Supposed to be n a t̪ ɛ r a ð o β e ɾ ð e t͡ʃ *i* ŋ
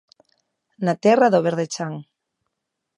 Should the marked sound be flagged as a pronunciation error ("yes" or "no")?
yes